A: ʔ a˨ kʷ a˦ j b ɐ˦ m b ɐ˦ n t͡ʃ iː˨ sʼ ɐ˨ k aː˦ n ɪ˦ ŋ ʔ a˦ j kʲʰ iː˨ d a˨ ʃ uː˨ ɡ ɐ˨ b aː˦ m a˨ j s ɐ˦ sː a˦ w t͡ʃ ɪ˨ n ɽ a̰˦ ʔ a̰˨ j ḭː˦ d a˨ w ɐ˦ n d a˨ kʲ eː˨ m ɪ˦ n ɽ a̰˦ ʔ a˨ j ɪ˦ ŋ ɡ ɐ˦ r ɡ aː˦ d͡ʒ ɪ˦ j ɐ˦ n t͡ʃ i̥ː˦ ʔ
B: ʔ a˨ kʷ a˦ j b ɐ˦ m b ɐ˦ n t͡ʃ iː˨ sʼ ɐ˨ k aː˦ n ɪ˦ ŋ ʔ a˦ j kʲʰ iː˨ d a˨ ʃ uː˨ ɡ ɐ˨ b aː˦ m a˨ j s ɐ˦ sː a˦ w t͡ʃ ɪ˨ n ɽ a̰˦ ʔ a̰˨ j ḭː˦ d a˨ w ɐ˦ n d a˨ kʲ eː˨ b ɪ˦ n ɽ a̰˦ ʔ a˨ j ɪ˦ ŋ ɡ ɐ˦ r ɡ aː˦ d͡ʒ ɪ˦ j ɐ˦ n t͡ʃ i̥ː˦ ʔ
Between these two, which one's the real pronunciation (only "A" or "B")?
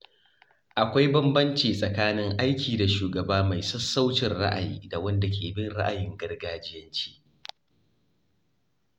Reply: B